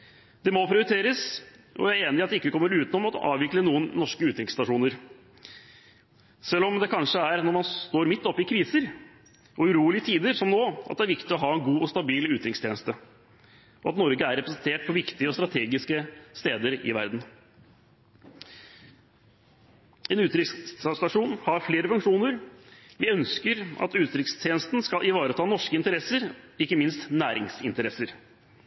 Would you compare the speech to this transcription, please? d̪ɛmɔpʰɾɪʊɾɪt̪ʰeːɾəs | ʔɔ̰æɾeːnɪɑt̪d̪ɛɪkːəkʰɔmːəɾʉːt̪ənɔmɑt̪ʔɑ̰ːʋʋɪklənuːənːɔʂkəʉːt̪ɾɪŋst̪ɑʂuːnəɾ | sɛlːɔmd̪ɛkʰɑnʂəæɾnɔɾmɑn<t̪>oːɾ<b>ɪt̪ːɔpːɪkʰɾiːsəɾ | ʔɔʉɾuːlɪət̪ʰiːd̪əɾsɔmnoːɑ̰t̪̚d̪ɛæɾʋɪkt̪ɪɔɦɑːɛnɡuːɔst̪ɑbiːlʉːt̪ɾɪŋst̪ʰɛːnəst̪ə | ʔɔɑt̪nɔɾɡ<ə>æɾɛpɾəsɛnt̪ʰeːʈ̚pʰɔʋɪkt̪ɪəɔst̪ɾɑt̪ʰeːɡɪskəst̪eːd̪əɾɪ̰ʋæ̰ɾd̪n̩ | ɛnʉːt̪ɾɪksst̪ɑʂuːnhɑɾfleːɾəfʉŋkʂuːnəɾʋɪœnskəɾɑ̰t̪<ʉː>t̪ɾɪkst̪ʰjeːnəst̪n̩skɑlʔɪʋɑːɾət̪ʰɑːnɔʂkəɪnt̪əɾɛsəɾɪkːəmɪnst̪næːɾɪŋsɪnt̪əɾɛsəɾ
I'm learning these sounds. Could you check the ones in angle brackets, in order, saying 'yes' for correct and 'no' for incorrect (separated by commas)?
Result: yes, no, yes, yes